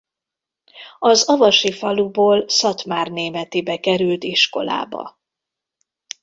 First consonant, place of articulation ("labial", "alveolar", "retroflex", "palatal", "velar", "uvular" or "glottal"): alveolar